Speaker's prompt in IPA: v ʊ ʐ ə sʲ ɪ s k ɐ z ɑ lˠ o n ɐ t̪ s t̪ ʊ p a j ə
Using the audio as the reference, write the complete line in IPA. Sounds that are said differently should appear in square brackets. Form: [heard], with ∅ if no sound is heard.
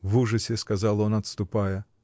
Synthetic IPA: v [u] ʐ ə sʲ ɪ s k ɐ z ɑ lˠ o n ɐ t̪ s t̪ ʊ p a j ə

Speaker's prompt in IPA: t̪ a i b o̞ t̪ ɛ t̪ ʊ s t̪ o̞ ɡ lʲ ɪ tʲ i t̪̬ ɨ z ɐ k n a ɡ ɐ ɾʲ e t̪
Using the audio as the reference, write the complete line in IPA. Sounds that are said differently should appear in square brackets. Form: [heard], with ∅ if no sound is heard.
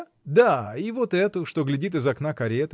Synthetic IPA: [d̪] a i [v] o̞ t̪ ɛ t̪ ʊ [ʂ] t̪ o̞ ɡ lʲ ɪ [dʲ] i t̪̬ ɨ z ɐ k n a [k] ɐ ɾʲ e t̪

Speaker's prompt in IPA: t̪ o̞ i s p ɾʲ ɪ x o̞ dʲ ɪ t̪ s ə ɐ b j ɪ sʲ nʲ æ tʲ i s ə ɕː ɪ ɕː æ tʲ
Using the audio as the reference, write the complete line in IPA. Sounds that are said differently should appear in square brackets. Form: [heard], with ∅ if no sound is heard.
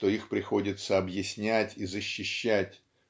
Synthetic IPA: t̪ o̞ i [x] p ɾʲ ɪ x o̞ dʲ ɪ t̪ s ə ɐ b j ɪ sʲ nʲ æ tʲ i [z] ə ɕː ɪ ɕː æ tʲ

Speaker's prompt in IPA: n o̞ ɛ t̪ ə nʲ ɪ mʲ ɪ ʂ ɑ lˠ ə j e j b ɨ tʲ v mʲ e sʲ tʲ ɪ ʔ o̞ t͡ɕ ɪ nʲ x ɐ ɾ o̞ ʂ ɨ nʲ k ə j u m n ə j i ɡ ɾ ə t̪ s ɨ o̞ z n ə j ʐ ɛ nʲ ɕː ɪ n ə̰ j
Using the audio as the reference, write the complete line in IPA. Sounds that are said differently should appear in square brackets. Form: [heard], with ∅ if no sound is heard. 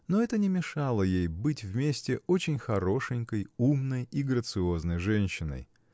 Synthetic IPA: n o̞ ɛ t̪ ə nʲ ɪ mʲ ɪ ʂ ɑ lˠ ə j e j b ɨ tʲ v mʲ e sʲ tʲ ɪ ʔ o̞ t͡ɕ ɪ nʲ x ɐ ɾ o̞ ʂ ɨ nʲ k ə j u m n ə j i ɡ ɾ ə t̪ s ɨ o̞ z n ə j ʐ ɛ nʲ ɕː ɪ n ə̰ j

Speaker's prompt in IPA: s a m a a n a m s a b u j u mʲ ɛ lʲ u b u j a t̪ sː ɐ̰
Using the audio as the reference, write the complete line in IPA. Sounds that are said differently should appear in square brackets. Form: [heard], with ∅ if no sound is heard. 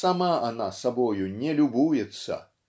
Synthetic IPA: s a m a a n a [∅] s a b [ɔ] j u [nʲ] ɛ lʲ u b u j [ɛ] t̪ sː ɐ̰

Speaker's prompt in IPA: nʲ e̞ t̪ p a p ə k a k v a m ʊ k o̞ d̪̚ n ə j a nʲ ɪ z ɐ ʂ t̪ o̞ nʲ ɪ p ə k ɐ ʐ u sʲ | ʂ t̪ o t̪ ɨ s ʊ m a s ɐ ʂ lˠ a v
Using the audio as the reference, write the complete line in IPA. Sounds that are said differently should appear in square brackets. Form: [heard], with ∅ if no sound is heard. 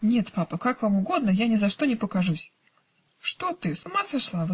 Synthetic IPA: nʲ e̞ t̪ p a p ə k a k v a m ʊ [ɡ] o̞ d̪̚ n ə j a nʲ ɪ z ɐ ʂ t̪ o̞ nʲ ɪ p ə k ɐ ʐ u sʲ | ʂ t̪ o t̪ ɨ s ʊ m a s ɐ ʂ lˠ a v

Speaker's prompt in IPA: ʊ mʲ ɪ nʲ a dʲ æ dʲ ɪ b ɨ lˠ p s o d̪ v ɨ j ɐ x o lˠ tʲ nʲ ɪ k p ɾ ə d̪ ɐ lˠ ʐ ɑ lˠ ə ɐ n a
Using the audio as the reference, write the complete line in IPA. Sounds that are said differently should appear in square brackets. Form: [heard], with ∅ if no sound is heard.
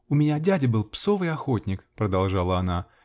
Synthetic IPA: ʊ mʲ ɪ nʲ a dʲ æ dʲ ɪ b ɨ lˠ p s o [∅] v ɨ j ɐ x o [∅] tʲ nʲ ɪ k p ɾ ə d̪ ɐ lˠ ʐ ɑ lˠ ə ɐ n a

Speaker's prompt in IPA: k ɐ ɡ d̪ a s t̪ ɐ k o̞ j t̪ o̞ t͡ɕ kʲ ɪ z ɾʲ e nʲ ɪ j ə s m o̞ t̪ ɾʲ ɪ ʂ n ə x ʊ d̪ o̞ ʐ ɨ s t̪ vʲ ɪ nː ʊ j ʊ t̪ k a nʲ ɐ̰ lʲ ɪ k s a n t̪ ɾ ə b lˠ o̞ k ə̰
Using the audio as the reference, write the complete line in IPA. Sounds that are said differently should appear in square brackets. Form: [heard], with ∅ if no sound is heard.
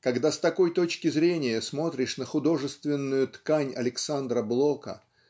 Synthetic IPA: k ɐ ɡ d̪ a s t̪ ɐ k o̞ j t̪ o̞ t͡ɕ kʲ ɪ z ɾʲ e nʲ ɪ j ə s m o̞ t̪ ɾʲ ɪ ʂ n ə x ʊ d̪ o̞ ʐ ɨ s t̪ vʲ ɪ nː ʊ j ʊ t̪ k a nʲ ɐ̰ lʲ ɪ k s a n [d̪] ɾ ə b lˠ o̞ k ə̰

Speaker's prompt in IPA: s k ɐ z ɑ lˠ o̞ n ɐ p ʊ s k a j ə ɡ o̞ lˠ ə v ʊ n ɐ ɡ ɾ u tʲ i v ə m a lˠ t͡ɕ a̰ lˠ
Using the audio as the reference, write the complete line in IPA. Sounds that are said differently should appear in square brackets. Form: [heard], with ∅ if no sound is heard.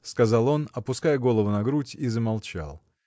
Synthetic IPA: s k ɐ z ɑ lˠ o̞ n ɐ p ʊ s k a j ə ɡ o̞ lˠ ə v ʊ n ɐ ɡ ɾ u tʲ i [z] ə m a lˠ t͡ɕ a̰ lˠ

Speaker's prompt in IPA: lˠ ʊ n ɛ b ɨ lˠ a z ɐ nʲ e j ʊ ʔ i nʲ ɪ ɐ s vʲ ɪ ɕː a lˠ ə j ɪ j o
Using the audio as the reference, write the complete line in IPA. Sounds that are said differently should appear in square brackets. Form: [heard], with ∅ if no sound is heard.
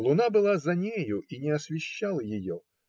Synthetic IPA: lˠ ʊ n [a] b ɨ lˠ a z ɐ nʲ e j ʊ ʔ i nʲ ɪ ɐ s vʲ ɪ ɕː a lˠ ə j ɪ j o

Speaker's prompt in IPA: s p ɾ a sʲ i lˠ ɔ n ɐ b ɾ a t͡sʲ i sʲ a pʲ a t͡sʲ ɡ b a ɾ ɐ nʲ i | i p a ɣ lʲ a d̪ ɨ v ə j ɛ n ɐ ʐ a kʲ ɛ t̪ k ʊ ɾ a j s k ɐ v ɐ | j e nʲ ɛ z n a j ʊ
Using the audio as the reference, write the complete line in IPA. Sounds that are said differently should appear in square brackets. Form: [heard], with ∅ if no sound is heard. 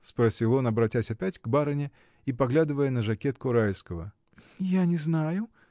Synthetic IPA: s p ɾ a sʲ i lˠ ɔ n ɐ b ɾ a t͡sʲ [a] sʲ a pʲ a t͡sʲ ɡ b a ɾ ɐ nʲ [ɛ] | i p a ɣ lʲ a d̪ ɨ v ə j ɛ n ɐ ʐ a kʲ ɛ t̪ k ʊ ɾ a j s k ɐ v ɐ | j [a] nʲ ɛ z n a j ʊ

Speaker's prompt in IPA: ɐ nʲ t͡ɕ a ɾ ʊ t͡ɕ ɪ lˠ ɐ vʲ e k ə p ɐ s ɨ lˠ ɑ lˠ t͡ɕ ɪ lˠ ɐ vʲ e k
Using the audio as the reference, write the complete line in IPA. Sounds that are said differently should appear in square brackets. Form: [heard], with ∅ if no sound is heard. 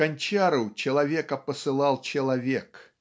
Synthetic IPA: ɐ nʲ t͡ɕ a ɾ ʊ t͡ɕ ɪ lˠ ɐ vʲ e k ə p [ə] s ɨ lˠ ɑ lˠ t͡ɕ ɪ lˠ ɐ vʲ e k

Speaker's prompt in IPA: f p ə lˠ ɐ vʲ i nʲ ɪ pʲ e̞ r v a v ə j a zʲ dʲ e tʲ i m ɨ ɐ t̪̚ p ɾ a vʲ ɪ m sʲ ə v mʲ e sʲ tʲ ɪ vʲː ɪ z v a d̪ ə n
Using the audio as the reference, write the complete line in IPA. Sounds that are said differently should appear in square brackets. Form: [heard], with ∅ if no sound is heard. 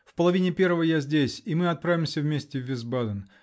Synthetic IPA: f p ə lˠ ɐ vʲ i nʲ ɪ pʲ e̞ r v [ə] v ə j a zʲ dʲ e [sʲ] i m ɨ ɐ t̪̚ p ɾ a vʲ ɪ m sʲ ə v mʲ e sʲ tʲ ɪ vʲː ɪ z [b] a d̪ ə n

